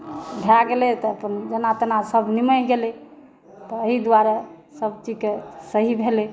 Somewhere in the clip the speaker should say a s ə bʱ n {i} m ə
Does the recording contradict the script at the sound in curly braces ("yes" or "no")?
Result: no